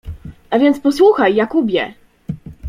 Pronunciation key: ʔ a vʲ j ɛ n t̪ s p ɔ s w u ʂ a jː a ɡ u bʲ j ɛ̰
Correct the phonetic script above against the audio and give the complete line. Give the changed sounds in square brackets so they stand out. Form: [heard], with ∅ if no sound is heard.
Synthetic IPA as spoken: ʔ a vʲ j ɛ n t̪ s p ɔ s w u [x] a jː a [k] u bʲ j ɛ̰